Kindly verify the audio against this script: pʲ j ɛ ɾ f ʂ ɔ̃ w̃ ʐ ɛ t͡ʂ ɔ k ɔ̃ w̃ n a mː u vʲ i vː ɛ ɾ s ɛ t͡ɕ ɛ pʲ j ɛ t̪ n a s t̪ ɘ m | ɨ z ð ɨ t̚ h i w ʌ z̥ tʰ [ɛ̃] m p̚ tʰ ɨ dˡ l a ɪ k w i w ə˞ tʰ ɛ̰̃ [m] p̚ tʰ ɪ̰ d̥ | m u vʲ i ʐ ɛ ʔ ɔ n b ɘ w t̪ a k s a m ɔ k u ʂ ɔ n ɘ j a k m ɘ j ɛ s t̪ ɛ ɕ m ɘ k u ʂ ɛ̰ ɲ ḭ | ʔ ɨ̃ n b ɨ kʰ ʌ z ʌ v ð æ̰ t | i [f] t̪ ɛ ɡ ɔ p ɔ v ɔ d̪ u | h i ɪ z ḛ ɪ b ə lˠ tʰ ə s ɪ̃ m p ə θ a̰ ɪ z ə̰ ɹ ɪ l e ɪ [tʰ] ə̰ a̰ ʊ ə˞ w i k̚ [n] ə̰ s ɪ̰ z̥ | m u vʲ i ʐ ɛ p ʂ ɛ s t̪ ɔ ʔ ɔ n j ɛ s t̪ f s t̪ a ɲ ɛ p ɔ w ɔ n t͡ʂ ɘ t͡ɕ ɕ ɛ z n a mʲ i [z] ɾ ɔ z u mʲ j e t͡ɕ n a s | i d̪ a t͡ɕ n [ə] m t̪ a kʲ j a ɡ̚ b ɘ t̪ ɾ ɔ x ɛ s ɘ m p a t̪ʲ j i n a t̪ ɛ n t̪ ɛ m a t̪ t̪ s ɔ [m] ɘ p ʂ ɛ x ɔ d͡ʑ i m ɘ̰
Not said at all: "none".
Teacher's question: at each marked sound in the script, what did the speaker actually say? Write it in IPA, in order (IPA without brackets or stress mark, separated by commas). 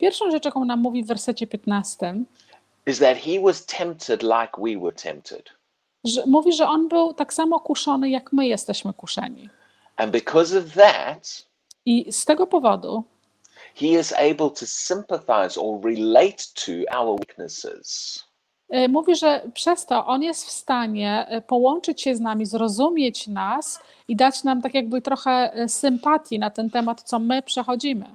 ɛ̃, m, s, tʰ, n, z, a, m